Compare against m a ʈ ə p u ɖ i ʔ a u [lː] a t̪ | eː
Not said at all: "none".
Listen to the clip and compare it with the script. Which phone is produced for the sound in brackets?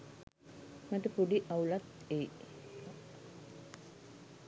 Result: l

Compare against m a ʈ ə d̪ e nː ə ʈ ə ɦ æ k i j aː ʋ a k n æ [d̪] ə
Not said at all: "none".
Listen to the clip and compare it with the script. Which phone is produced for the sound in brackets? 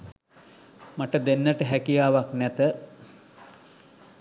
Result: t̪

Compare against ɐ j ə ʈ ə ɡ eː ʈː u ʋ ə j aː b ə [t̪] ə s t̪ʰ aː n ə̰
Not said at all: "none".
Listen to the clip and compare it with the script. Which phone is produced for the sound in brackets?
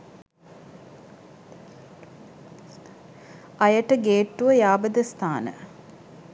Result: d̪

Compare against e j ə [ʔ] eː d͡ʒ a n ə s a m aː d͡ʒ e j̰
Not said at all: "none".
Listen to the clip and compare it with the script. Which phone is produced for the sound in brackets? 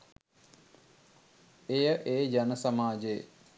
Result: ʔ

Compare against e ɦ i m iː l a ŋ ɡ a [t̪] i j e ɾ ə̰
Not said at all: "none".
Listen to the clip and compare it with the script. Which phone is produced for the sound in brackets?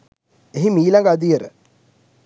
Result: d̪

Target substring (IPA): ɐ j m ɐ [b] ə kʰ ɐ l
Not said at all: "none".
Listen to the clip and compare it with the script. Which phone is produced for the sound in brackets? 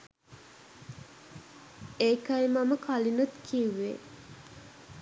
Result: m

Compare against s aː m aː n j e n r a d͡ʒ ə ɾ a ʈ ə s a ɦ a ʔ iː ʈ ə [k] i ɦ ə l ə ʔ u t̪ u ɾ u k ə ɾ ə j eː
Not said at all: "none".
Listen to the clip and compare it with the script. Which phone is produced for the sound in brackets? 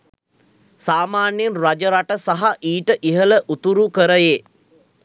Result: ʔ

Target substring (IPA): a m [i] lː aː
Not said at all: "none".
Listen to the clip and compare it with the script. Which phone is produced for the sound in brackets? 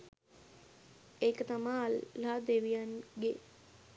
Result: a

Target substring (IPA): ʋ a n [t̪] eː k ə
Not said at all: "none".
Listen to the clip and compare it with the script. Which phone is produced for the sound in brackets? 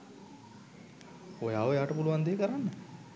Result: d̪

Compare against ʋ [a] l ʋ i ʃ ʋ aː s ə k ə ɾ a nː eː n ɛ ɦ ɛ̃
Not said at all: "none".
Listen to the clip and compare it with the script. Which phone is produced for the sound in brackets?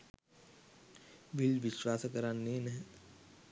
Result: i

